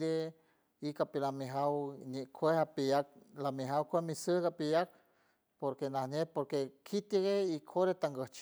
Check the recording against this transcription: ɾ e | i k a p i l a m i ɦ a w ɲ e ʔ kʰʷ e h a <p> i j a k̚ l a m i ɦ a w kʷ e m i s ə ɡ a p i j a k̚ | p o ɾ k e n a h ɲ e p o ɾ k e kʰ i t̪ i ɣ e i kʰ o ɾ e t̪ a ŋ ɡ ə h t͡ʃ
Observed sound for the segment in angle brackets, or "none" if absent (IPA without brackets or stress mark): p